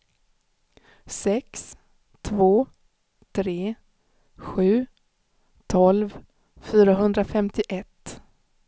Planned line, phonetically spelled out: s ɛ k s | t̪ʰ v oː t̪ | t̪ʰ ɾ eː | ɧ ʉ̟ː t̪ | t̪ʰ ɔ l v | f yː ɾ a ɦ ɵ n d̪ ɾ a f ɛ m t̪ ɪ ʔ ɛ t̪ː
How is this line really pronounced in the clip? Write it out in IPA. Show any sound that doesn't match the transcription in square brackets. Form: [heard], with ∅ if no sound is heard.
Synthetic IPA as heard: s ɛ k s | t̪ʰ v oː [∅] | t̪ʰ ɾ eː | ɧ ʉ̟ː [∅] | t̪ʰ ɔ l v | f yː ɾ a ɦ ɵ n d̪ ɾ a f ɛ m t̪ ɪ ʔ ɛ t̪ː